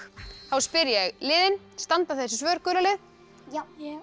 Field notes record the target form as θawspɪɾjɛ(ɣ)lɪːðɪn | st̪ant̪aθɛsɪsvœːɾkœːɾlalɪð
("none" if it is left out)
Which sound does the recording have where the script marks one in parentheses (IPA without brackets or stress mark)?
ɣ